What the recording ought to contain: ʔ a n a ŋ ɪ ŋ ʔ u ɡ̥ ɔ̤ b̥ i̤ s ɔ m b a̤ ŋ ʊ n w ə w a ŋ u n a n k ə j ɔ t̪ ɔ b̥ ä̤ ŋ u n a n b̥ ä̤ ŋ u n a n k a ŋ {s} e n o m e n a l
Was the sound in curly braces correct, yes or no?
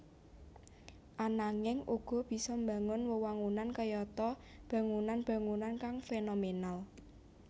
no